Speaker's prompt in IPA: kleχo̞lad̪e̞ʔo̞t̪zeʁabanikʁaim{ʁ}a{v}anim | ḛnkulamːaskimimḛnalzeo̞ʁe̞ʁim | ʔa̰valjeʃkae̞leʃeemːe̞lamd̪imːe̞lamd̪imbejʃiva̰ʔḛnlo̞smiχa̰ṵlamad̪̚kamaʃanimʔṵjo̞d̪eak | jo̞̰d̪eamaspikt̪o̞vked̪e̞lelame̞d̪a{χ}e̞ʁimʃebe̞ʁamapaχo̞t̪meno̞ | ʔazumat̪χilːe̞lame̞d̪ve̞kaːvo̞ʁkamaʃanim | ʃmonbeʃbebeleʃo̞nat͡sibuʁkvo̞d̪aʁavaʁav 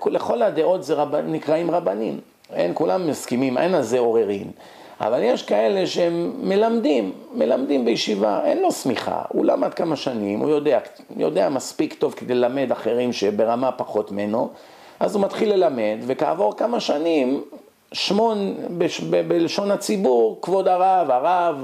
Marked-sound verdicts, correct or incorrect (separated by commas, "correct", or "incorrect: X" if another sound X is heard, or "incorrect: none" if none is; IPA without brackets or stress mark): correct, incorrect: b, correct